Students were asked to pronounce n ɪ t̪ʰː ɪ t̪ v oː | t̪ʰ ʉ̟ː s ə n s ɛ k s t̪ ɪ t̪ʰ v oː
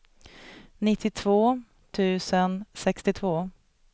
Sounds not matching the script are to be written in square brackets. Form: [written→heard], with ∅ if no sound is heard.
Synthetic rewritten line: n ɪ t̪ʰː ɪ [t̪→t̪ʰ] v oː | t̪ʰ ʉ̟ː s ə n s ɛ k s t̪ ɪ t̪ʰ v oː